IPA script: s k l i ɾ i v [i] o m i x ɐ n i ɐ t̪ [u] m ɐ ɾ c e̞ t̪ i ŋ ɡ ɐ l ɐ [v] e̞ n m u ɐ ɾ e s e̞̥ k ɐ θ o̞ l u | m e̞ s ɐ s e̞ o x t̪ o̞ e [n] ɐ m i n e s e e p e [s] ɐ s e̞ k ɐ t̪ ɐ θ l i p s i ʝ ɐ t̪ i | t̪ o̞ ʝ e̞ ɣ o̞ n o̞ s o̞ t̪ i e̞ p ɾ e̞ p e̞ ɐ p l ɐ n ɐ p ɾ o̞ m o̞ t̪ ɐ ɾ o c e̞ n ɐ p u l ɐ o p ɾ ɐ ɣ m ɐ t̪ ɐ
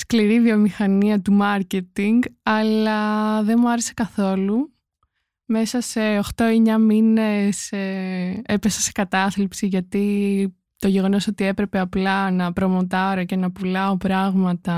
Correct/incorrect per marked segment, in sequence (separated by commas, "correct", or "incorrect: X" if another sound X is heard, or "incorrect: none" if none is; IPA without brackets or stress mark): correct, correct, incorrect: ð, incorrect: ɲ, correct